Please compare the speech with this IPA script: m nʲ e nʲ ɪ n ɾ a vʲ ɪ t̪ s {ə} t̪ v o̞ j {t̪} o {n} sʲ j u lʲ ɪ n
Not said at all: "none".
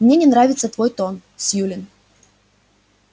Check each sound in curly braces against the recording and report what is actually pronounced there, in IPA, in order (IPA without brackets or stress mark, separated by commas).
ə, t̪, n